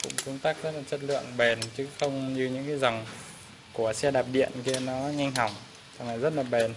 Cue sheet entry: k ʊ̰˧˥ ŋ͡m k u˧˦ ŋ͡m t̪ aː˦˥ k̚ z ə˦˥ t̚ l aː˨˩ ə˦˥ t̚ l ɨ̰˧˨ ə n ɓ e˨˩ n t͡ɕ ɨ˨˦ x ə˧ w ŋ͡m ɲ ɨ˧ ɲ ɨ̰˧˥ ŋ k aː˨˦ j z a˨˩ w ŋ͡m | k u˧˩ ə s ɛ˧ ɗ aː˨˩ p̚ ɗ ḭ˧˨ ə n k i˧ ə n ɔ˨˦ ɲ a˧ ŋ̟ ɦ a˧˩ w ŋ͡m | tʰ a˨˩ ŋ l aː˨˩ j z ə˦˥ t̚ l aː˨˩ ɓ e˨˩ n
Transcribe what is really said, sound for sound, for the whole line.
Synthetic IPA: k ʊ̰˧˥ ŋ͡m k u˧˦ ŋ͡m t̪ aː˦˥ k̚ z ə˦˥ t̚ l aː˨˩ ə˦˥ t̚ l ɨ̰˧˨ ə ŋ ɓ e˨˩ n t͡ɕ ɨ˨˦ x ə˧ w ŋ͡m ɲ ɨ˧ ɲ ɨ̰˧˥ ŋ k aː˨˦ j z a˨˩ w ŋ͡m | k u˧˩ ə s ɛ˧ ɗ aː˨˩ p̚ ɗ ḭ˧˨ ə n k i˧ ə n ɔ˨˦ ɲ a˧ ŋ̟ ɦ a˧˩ w ŋ͡m | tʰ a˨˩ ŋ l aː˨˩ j z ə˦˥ t̚ l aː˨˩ ɓ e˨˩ n